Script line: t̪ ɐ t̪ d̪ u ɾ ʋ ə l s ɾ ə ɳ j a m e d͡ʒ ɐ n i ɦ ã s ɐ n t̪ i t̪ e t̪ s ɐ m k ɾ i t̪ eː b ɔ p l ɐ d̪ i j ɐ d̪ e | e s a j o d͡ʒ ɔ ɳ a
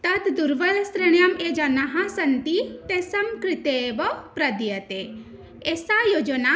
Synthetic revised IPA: t̪ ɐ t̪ d̪ u ɾ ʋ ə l s ɾ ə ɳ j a m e d͡ʒ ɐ n a ɦ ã s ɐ n t̪ i t̪ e s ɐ m k ɾ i t̪ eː b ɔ p ɾ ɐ d̪ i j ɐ t̪ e | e s a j o d͡ʒ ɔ n a